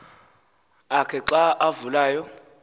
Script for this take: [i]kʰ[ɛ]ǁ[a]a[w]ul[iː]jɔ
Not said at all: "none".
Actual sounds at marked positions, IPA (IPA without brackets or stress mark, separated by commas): a, ɛ, a, v, aː